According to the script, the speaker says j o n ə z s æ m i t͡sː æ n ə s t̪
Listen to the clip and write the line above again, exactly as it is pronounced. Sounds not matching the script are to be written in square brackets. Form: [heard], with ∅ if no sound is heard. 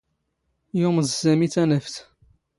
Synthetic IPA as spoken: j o [m] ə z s æ m i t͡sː æ n ə [f] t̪